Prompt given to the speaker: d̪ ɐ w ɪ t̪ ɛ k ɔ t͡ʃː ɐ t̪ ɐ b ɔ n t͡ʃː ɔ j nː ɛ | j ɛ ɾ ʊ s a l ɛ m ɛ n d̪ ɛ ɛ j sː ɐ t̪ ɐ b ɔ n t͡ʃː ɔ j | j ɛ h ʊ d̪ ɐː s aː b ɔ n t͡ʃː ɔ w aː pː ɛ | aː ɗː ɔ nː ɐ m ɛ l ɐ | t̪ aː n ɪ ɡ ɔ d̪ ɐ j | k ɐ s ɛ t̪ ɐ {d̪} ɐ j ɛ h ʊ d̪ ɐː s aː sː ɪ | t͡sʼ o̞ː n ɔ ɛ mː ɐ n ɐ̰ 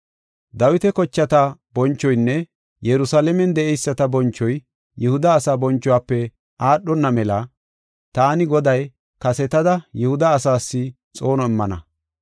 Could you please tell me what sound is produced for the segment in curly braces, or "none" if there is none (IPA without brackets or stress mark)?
d̪